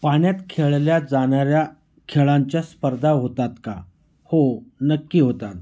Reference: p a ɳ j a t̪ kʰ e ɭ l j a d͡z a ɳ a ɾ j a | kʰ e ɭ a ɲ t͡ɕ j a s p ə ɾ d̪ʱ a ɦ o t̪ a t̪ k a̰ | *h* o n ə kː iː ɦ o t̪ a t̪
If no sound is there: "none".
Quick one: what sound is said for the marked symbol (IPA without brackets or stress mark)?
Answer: h